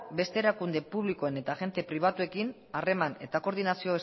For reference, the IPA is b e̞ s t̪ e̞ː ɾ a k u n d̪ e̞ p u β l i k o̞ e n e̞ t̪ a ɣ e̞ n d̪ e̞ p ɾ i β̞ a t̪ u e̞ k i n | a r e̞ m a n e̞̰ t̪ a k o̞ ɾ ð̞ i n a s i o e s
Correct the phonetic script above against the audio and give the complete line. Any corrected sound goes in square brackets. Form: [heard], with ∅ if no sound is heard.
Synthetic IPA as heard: b e̞ s t̪ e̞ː ɾ a k u n d̪ e̞ p u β l i k o̞ e n e̞ t̪ a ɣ e̞ n [t̪] e̞ p ɾ i β̞ a t̪ u e̞ k i n | a r e̞ m a n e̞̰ t̪ a k o̞ ɾ ð̞ i n a s i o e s

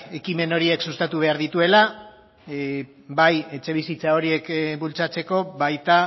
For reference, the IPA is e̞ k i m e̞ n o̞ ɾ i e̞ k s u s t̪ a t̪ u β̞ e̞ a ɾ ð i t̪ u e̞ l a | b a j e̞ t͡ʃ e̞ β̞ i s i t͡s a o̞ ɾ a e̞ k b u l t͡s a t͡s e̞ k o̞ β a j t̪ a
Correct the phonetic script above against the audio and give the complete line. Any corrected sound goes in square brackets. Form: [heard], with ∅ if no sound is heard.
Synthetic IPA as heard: e̞ k i m e̞ n o̞ ɾ i e̞ k s u s t̪ a t̪ u β̞ e̞ a ɾ ð i t̪ u e̞ l a | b a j e̞ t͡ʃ e̞ β̞ i s i t͡s a o̞ ɾ [i] e̞ k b u l t͡s a t͡s e̞ k o̞ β a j t̪ a

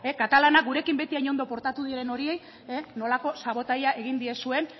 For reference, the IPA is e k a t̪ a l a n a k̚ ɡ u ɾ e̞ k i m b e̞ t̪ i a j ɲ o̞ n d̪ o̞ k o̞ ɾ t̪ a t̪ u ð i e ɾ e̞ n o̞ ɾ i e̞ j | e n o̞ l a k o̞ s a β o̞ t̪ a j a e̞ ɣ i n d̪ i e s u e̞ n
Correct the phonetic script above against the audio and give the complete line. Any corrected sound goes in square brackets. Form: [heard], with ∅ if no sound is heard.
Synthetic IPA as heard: e k a t̪ a l a n a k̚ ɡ u ɾ e̞ k i m b e̞ t̪ i a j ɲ o̞ n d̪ o̞ [p] o̞ ɾ t̪ a t̪ u ð i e ɾ e̞ n o̞ ɾ i e̞ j | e n o̞ l a k o̞ s a β o̞ t̪ a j a e̞ ɣ i n d̪ i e s u e̞ n

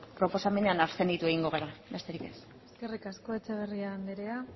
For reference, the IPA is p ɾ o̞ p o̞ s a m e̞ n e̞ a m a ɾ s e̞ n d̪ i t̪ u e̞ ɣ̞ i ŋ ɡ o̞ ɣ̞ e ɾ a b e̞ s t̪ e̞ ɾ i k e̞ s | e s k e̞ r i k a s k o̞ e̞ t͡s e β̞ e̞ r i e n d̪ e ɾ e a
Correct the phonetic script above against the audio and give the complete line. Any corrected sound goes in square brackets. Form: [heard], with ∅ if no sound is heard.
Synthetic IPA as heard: p ɾ o̞ p o̞ s a m e̞ n e̞ a [n] a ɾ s e̞ n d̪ i t̪ u e̞ ɣ̞ i ŋ ɡ o̞ ɣ̞ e ɾ a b e̞ s t̪ e̞ ɾ i k e̞ s | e s k e̞ r i k a s k o̞ e̞ t͡s e β̞ e̞ r i [a] n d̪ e ɾ e a

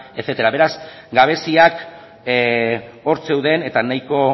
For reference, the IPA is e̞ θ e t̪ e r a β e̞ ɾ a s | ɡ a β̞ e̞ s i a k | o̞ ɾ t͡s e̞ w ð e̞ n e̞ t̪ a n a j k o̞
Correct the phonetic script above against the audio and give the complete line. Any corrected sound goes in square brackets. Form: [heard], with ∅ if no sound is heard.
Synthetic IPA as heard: e̞ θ e t̪ e [ɾ] a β e̞ ɾ a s | ɡ a β̞ e̞ s i a k | o̞ ɾ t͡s e̞ w ð e̞ n e̞ t̪ a n a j k o̞

